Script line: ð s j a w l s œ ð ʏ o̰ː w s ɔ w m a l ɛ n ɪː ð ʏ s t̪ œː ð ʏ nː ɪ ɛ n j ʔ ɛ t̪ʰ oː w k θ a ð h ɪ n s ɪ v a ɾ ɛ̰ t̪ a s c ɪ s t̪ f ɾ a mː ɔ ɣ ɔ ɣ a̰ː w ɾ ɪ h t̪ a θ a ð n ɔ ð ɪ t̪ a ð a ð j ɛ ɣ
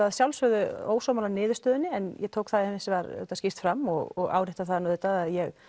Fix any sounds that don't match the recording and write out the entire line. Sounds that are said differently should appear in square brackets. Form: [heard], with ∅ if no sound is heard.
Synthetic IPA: ð s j a w l s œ ð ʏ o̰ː w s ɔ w m a l [a] n ɪː ð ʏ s t̪ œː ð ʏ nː ɪ ɛ n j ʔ ɛ t̪ʰ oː w k θ a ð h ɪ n s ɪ v a ɾ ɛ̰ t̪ a s c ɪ s t̪ f ɾ a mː ɔ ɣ ɔ ɣ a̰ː w ɾ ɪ h t̪ a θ a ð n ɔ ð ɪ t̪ a ð a ð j ɛ ɣ